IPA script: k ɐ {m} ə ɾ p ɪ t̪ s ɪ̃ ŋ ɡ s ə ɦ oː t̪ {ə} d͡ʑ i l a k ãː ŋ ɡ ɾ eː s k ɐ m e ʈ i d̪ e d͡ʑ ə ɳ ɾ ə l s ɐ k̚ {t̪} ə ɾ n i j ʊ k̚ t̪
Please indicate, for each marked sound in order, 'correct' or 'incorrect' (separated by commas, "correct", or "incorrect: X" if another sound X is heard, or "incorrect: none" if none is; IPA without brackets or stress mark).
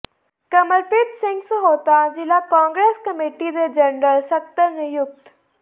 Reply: correct, incorrect: a, correct